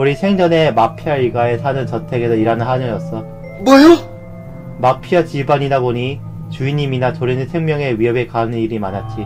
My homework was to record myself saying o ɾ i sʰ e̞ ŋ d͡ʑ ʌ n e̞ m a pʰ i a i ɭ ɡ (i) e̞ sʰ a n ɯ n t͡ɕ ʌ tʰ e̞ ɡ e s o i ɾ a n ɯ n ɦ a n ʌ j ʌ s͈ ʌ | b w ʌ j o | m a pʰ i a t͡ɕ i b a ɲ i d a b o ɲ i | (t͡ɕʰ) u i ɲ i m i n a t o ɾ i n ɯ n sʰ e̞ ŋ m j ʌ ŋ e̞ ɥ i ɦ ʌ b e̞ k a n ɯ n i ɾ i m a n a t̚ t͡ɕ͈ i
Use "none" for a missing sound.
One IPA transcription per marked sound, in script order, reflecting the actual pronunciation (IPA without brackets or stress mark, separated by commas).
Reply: a, t͡ɕ